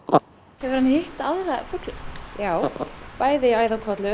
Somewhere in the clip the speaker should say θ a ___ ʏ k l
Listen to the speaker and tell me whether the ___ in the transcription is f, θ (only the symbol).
f